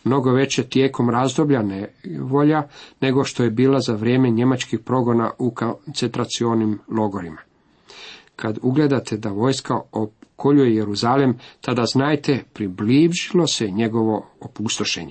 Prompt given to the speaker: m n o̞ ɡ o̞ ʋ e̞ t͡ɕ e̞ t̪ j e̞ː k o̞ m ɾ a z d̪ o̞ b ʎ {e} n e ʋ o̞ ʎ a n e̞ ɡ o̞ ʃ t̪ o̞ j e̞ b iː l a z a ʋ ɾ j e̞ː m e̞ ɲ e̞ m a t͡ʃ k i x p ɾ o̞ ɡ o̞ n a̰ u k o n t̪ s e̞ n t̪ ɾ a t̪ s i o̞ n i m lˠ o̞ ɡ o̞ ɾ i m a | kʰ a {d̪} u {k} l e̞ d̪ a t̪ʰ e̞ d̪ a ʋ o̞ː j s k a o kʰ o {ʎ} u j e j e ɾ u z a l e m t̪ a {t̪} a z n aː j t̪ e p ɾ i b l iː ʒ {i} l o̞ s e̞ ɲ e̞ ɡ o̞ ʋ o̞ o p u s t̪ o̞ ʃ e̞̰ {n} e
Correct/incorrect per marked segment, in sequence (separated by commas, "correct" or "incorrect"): incorrect, correct, incorrect, correct, incorrect, correct, incorrect